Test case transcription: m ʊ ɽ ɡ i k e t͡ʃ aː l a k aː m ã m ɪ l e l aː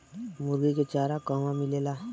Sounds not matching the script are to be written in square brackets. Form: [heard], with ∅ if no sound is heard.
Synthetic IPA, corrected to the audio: m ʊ [ɾ] ɡ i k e t͡ʃ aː [ɾ] a k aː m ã m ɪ l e l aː